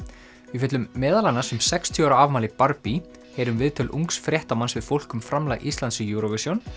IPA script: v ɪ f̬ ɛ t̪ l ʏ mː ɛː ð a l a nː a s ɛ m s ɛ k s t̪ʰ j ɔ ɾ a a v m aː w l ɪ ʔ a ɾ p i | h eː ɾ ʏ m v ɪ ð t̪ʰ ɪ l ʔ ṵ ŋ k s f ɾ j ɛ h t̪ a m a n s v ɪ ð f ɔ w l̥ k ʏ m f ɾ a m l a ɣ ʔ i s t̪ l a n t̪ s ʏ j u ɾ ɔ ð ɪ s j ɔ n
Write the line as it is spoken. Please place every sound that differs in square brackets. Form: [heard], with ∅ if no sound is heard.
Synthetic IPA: v ɪ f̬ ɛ t̪ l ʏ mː ɛː ð a l a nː a s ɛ m s ɛ k s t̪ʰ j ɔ ɾ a a v m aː [∅] l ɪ [p] a ɾ p i | h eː ɾ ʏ m v ɪ ð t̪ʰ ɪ l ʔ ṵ ŋ k s f ɾ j ɛ h t̪ a m a n s v ɪ ð f [o] w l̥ k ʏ m f ɾ a m l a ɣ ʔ i s t̪ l a n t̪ s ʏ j u ɾ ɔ [v] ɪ s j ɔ n

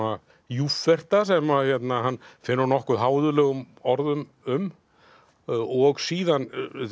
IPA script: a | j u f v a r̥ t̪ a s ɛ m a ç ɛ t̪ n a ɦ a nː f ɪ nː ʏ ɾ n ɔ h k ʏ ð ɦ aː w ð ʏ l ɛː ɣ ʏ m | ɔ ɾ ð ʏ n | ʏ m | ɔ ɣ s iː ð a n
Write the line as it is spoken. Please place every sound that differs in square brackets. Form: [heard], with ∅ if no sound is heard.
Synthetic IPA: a | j u f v [ɛ] r̥ t̪ a s ɛ m a ç ɛ t̪ n a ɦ a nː f ɪ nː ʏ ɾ n ɔ h k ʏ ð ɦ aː w ð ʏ l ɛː ɣ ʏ m | ɔ ɾ ð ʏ [m] | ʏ m | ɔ ɣ s iː ð a n

